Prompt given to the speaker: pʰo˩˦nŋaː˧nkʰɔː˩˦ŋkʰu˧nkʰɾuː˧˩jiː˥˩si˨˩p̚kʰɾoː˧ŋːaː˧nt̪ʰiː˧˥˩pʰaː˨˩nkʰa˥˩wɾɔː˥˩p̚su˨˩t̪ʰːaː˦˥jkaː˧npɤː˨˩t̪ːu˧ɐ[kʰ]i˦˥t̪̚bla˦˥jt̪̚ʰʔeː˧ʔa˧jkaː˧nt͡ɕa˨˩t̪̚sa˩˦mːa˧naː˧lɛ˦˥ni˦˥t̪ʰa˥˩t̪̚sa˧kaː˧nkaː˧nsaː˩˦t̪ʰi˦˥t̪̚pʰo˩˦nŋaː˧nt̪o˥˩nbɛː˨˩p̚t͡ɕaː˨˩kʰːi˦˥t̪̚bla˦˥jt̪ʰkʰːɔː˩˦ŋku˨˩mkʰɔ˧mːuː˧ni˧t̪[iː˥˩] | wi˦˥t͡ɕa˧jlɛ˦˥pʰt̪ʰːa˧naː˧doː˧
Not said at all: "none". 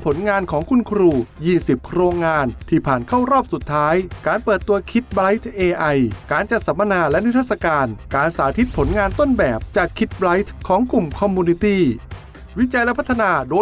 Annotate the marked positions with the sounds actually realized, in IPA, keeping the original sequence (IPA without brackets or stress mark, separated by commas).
kʰ, iː˥˩